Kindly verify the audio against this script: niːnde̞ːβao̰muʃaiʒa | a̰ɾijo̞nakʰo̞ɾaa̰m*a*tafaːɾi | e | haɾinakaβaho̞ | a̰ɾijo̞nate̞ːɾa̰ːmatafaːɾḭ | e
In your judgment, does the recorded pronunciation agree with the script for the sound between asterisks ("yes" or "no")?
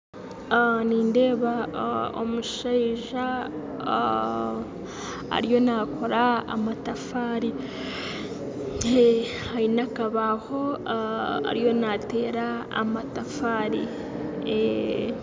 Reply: yes